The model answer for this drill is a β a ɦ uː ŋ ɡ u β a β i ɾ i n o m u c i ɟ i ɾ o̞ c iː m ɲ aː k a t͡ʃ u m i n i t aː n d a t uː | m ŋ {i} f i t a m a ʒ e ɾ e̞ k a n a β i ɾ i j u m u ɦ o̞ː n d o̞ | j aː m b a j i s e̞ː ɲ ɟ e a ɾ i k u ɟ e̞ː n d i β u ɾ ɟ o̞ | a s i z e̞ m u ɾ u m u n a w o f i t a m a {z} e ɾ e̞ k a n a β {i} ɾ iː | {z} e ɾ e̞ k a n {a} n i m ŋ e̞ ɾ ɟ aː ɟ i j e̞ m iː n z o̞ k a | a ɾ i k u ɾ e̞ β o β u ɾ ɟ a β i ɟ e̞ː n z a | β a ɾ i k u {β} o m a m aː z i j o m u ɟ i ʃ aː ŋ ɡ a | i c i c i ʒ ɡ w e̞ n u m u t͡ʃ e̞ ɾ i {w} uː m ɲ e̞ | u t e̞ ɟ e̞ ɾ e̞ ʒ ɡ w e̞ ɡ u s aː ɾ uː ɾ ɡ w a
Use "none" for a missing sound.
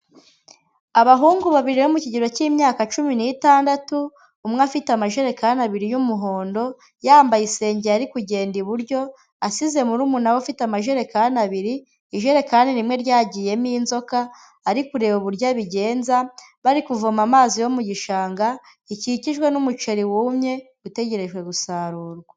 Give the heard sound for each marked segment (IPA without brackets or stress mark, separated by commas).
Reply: a, ʒ, i, ʒ, i, v, w